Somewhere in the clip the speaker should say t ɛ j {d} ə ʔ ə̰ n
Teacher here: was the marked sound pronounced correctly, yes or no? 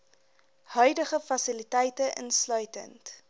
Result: no